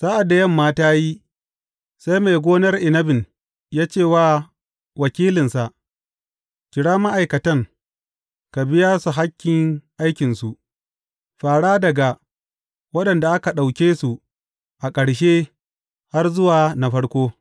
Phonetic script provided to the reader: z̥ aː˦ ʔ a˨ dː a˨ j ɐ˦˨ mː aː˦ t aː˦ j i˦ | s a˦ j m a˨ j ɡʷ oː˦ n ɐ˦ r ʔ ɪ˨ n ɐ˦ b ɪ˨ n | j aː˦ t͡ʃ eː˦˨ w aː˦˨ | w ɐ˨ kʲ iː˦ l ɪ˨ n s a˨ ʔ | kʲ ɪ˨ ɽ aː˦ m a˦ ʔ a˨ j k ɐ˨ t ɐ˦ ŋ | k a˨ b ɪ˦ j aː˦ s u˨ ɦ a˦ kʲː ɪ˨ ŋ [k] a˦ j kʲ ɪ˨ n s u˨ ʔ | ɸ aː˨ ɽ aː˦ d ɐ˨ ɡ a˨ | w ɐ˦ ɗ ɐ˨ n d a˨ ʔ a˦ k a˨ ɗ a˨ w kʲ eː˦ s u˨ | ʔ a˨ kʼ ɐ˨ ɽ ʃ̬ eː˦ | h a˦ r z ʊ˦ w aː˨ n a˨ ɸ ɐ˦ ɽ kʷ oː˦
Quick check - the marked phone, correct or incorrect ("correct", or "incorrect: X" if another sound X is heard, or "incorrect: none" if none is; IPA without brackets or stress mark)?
incorrect: ʔ